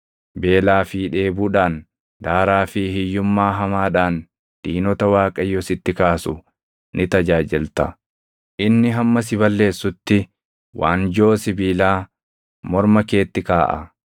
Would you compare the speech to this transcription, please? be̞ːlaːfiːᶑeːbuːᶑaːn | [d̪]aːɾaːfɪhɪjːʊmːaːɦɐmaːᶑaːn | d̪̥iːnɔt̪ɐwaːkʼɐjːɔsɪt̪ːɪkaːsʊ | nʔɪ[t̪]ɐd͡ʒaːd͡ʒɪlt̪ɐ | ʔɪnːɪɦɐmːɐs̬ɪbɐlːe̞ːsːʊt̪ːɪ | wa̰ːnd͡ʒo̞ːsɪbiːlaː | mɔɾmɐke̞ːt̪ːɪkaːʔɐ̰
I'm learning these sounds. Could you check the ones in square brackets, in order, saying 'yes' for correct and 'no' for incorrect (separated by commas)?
yes, yes